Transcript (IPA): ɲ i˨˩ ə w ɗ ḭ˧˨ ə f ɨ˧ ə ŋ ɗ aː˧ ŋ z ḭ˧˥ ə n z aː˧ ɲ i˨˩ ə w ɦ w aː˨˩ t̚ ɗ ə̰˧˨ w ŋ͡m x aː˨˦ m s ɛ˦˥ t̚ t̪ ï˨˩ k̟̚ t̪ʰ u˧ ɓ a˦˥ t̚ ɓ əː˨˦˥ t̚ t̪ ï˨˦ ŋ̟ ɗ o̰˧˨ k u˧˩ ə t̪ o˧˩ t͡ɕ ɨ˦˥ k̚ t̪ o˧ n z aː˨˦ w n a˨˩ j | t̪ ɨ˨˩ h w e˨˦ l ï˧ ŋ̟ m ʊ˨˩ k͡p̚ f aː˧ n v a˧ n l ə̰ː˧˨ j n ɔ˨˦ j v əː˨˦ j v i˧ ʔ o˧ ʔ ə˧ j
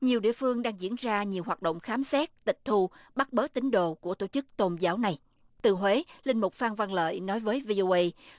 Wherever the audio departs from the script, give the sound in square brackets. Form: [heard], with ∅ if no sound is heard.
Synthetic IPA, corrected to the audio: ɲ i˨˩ ə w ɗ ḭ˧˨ ə f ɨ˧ ə ŋ ɗ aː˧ ŋ z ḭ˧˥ ə n z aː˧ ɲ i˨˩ ə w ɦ w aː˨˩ t̚ ɗ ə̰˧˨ w ŋ͡m x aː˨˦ m s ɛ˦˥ t̚ t̪ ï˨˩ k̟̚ t̪ʰ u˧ ɓ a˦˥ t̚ ɓ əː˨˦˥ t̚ t̪ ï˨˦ ŋ̟ ɗ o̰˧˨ k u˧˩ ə t̪ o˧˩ t͡ɕ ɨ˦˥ k̚ t̪ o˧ n z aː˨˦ w n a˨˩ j | t̪ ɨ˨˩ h w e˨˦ l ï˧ ŋ̟ m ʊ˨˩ k͡p̚ f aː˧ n v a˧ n l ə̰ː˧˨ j n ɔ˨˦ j v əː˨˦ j v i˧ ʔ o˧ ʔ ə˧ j

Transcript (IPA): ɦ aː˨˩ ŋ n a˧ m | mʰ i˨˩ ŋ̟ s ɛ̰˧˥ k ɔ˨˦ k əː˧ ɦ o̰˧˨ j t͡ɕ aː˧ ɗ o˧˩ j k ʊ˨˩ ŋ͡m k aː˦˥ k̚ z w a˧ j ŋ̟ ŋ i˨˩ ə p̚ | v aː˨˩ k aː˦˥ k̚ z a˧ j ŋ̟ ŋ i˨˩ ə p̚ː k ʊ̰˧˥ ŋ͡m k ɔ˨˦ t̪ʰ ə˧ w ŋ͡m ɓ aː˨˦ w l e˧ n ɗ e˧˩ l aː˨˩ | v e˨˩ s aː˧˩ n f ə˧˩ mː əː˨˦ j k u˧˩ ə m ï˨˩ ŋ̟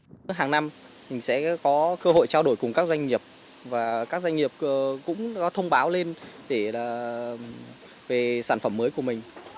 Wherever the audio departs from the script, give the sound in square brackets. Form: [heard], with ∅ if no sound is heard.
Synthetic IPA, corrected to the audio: ɦ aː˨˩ ŋ n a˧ m | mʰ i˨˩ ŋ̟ s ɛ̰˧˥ k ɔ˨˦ k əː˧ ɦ o̰˧˨ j t͡ɕ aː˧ ɗ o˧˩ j k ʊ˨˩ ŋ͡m k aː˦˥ k̚ z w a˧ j ŋ̟ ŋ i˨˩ ə p̚ | v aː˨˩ k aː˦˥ k̚ z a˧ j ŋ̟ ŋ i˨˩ ə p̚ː k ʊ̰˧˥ ŋ͡m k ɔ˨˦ t̪ʰ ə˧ w ŋ͡m ɓ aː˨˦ w l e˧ n ɗ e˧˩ l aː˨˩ | v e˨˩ s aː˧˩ n f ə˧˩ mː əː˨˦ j k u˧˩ ə m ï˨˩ ŋ̟

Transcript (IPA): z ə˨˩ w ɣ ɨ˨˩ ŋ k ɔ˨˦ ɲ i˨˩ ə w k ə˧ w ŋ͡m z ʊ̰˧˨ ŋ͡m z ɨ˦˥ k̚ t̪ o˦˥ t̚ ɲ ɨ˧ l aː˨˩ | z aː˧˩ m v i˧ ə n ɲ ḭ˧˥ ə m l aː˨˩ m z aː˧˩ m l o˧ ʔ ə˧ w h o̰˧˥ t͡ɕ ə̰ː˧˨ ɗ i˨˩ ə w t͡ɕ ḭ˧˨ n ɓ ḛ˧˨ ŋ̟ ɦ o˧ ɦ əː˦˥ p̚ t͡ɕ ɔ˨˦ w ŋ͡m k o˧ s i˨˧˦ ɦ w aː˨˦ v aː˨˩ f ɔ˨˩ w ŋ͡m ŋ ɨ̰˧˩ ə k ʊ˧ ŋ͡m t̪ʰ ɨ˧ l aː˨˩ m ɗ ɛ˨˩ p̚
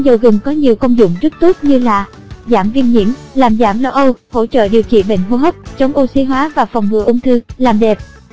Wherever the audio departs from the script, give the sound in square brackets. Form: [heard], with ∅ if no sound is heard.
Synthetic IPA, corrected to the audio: z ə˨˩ w ɣ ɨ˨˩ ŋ k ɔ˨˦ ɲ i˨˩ ə w k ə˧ w ŋ͡m z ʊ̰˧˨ ŋ͡m z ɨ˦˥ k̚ t̪ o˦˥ t̚ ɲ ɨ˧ l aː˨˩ | z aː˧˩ m v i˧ ə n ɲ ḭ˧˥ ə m l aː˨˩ m z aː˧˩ m l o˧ ʔ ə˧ w h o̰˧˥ t͡ɕ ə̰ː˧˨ ɗ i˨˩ ə w t͡ɕ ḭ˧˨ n ɓ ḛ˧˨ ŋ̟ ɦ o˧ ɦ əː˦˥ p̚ t͡ɕ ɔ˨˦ w ŋ͡m [ʔ] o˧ s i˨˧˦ ɦ w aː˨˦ v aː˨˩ f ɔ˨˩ w ŋ͡m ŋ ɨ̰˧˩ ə [ʔ] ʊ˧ ŋ͡m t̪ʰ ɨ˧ l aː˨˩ m ɗ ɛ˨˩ p̚

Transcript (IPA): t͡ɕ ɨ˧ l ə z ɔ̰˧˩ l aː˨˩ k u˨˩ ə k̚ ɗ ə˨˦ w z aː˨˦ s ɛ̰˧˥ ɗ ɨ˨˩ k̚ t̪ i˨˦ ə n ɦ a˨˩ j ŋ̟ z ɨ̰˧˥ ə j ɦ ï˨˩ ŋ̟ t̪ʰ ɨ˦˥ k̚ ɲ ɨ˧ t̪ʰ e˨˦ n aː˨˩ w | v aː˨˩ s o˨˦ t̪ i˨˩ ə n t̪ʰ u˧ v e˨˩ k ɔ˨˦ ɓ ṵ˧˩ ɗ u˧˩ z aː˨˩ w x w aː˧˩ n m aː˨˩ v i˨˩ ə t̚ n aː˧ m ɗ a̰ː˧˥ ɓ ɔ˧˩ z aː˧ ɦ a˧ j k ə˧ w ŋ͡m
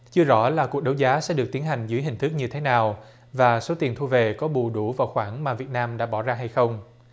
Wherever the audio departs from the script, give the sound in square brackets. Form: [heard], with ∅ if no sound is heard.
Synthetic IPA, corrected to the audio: t͡ɕ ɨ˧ [∅] ə z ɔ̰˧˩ l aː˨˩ k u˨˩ ə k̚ ɗ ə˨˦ w z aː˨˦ s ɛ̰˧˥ ɗ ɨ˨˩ k̚ t̪ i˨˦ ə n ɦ a˨˩ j ŋ̟ z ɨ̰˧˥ ə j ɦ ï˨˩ ŋ̟ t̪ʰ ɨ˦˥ k̚ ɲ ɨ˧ t̪ʰ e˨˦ n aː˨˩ w | v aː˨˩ s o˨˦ t̪ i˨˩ ə n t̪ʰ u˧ v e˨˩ k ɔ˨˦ ɓ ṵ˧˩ ɗ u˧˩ [v] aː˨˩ w x w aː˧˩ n m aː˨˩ v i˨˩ ə t̚ n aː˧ m ɗ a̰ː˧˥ ɓ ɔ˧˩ z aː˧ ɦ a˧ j [x] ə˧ w ŋ͡m

